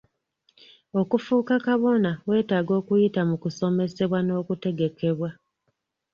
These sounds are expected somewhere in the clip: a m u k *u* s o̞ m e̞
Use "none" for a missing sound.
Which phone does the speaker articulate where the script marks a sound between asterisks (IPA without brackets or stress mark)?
u